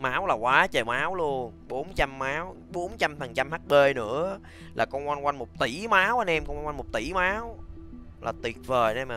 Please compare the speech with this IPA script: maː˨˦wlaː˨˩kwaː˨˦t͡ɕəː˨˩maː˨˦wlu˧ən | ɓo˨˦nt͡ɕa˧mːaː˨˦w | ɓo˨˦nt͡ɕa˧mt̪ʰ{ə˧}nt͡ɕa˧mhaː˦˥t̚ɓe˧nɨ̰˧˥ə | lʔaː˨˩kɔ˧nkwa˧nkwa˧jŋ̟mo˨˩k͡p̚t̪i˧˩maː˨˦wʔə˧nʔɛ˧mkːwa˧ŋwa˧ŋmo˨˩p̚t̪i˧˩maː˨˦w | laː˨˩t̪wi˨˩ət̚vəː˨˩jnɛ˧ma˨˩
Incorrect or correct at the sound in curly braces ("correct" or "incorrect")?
incorrect